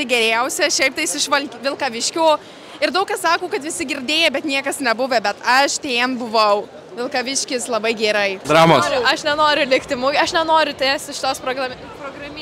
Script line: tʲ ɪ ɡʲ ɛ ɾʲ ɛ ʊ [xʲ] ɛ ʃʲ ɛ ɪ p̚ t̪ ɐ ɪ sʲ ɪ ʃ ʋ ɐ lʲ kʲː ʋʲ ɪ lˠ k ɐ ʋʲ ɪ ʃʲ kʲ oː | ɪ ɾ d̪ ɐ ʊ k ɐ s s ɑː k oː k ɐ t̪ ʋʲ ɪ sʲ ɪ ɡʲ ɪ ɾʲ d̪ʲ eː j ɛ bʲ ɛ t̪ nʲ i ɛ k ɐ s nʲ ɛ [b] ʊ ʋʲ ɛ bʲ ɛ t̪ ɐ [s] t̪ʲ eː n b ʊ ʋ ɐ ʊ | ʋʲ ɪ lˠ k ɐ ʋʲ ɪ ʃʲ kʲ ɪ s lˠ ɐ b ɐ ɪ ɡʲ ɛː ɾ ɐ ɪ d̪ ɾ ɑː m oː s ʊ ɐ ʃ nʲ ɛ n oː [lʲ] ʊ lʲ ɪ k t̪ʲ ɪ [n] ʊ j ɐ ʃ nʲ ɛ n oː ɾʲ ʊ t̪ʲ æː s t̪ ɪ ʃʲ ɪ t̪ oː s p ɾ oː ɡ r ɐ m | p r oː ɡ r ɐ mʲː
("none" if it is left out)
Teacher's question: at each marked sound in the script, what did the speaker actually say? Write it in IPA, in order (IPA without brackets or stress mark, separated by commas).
sʲ, b, ʃ, ɾʲ, m